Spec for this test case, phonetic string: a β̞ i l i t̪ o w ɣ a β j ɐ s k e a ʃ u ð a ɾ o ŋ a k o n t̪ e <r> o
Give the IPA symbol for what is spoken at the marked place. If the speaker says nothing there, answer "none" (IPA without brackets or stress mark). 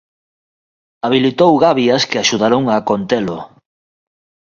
l